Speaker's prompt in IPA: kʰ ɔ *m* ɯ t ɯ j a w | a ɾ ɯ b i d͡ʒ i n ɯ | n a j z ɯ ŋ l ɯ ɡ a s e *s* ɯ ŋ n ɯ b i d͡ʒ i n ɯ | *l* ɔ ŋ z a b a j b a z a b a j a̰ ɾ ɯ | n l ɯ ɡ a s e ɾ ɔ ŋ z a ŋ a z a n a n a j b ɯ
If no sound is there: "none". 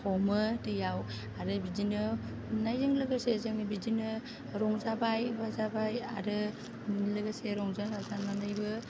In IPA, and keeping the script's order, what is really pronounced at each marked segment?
m, z, ɾ

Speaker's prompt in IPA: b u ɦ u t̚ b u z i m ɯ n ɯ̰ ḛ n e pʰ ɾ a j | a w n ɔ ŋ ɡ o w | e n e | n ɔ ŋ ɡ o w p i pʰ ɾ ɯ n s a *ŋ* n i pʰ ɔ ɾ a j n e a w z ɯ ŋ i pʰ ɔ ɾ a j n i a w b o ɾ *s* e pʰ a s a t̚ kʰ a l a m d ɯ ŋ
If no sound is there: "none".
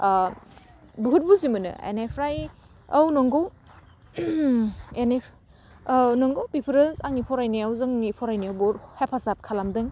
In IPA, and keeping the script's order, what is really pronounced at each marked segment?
ŋ, h

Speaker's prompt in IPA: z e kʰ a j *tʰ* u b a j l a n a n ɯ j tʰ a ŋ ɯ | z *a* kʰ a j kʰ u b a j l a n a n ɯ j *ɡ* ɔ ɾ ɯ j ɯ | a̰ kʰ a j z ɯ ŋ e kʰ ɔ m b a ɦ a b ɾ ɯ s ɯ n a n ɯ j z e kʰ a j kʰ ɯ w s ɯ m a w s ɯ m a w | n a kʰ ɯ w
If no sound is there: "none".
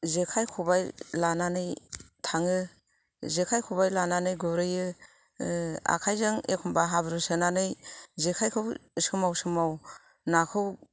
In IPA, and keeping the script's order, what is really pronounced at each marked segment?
kʰ, e, ɡ

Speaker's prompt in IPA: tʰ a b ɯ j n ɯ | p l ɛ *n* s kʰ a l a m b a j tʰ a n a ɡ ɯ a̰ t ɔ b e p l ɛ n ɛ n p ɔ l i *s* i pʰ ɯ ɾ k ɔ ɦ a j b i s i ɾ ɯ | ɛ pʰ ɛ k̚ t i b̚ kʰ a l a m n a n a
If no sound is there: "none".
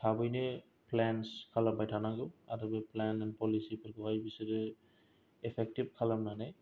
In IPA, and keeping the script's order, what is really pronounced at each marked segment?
n, s

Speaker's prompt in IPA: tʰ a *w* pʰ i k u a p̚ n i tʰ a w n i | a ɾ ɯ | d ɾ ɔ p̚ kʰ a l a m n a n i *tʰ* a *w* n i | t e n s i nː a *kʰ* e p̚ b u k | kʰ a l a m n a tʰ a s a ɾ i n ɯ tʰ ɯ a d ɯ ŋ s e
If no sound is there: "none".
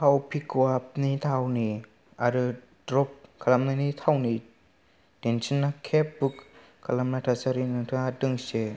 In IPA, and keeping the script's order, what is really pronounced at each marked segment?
w, tʰ, w, kʰ

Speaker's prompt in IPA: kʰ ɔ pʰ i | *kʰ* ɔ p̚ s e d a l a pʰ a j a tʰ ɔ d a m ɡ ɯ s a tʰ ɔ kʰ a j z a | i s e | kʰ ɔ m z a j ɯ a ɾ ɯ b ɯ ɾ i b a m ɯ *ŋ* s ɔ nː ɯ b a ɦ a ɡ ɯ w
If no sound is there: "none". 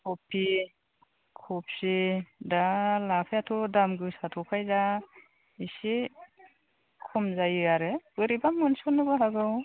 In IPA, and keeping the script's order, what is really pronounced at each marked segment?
kʰ, n

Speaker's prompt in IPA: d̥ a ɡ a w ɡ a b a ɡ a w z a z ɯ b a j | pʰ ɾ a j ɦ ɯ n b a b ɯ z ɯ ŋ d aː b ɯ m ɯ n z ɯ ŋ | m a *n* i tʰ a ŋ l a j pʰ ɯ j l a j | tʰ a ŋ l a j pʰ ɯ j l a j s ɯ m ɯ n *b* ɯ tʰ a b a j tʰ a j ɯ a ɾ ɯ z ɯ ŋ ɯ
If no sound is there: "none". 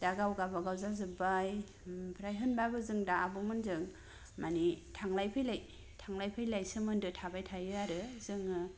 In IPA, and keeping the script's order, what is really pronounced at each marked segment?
n, d

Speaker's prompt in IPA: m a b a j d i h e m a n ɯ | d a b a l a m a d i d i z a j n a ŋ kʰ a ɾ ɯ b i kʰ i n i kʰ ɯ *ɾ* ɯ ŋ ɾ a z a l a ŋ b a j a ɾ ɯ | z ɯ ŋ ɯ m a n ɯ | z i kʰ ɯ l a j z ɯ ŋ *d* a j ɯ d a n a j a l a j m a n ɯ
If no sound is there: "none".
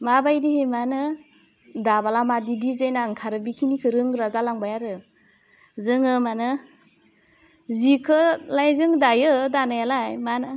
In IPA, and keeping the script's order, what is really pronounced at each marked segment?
ɾ, d

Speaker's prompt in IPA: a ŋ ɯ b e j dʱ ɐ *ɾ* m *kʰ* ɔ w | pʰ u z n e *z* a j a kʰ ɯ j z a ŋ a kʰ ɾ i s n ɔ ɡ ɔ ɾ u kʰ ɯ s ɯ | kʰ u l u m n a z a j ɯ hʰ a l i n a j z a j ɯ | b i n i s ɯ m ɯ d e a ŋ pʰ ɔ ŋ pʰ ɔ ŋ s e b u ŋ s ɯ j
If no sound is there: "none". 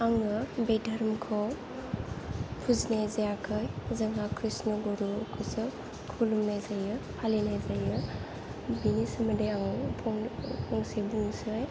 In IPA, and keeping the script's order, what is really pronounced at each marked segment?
ɾ, kʰ, z

